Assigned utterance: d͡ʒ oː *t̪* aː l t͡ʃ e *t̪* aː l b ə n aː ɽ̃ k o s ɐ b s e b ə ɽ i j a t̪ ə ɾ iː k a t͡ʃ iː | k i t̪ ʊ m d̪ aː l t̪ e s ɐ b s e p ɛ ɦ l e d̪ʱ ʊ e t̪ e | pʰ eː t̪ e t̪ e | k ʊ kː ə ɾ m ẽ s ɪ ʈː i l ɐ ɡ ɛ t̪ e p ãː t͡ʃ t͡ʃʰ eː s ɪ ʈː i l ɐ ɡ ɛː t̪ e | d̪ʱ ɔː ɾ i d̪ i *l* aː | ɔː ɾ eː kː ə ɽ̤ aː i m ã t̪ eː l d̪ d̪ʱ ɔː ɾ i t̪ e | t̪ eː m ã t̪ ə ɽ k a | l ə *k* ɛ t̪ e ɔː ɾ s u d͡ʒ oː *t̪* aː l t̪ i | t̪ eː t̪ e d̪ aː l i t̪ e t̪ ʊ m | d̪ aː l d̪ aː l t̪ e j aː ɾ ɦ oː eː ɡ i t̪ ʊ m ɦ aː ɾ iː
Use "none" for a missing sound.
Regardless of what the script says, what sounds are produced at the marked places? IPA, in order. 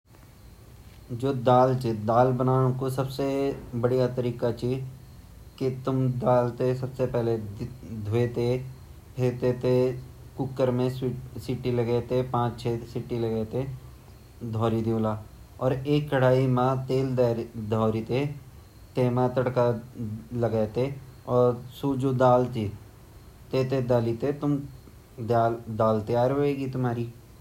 d̪, d̪, l, ɡ, d̪

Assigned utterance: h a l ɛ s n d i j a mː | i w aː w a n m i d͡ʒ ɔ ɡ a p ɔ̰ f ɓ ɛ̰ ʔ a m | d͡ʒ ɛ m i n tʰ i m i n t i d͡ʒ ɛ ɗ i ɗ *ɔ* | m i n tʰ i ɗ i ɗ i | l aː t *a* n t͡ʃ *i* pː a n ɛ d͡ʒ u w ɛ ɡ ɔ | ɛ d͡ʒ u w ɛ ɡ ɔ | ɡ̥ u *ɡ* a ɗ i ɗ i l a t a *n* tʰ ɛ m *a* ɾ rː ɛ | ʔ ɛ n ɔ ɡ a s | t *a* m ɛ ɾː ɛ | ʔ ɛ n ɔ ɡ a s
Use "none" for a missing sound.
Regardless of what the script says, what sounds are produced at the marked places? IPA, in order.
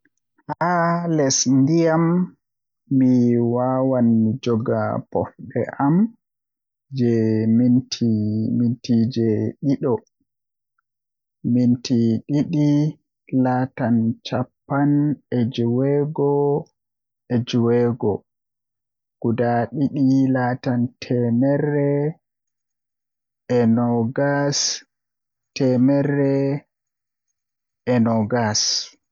ɔ, a, a, d, n, ɛ, ɛ

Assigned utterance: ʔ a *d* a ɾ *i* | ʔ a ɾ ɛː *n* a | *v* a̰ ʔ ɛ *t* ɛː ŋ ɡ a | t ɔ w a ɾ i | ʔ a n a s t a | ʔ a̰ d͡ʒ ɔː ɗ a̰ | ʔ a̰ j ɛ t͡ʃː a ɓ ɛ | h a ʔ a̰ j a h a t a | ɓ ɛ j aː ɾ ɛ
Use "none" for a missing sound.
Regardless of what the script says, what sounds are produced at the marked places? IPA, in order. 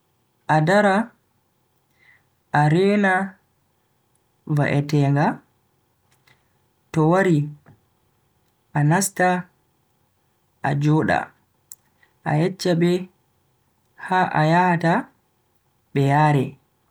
d, a, n, v, t

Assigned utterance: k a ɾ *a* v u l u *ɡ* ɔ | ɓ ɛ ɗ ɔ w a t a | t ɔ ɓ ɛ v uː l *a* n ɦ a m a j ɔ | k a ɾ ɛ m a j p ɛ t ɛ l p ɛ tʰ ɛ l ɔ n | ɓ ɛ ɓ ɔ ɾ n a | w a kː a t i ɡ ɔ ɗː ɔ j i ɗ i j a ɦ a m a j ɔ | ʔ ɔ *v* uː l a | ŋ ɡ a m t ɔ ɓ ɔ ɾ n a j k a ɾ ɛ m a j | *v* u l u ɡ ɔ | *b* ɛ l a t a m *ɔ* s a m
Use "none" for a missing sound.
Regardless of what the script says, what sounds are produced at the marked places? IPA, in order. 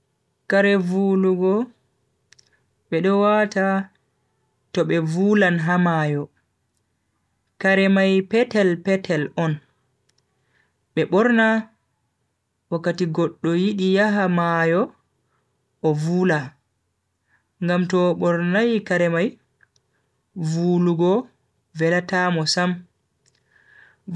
ɛ, ɡ, a, v, v, v, ɔ

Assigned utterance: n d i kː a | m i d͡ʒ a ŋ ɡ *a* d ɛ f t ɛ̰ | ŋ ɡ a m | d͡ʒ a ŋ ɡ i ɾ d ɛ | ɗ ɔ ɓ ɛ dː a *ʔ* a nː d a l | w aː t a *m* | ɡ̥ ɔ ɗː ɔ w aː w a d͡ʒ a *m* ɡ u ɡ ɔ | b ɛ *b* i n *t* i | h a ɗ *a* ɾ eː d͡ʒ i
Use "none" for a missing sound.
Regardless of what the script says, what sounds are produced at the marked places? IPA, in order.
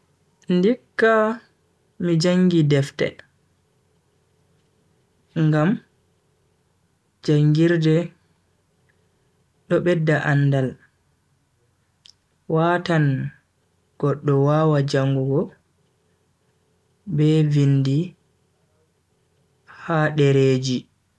i, ʔ, n, ŋ, v, d, ɛ

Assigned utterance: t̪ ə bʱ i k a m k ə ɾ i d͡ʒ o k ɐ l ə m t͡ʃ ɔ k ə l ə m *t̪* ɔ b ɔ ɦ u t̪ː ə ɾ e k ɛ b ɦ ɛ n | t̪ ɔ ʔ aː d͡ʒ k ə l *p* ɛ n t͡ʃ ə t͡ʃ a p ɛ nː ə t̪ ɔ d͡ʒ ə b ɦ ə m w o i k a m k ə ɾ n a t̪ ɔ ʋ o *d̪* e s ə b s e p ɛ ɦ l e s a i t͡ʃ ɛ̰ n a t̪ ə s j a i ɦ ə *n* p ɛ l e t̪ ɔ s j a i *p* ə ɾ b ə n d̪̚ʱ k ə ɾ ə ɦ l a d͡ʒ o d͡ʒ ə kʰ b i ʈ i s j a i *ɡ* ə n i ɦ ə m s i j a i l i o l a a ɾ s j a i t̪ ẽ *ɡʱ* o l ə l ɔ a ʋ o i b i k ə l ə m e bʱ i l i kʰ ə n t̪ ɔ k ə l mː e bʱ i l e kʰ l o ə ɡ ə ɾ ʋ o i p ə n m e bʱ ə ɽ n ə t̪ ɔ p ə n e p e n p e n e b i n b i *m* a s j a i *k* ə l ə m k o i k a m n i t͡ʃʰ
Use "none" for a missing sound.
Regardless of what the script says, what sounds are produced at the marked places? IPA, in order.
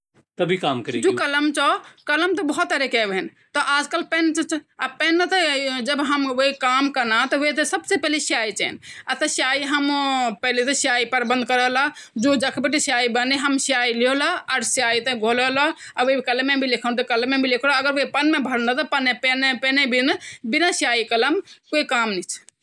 t̪, p, t̪, m, p, b, ɡʱ, n, k

